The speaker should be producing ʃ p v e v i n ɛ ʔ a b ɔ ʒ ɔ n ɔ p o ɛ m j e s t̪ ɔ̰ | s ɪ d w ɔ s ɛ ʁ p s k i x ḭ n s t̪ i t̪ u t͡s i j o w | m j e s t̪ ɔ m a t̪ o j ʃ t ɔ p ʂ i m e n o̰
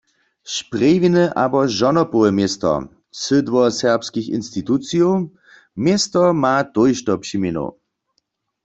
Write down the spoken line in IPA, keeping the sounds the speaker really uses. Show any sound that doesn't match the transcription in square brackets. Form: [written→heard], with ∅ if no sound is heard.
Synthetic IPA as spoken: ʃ p [v→ʁ] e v i n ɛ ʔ a b ɔ ʒ ɔ n ɔ p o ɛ m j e s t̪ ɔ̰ | s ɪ d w ɔ s ɛ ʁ p s k i x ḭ n s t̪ i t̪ u t͡s i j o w | m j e s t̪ ɔ m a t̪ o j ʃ t ɔ p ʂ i m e n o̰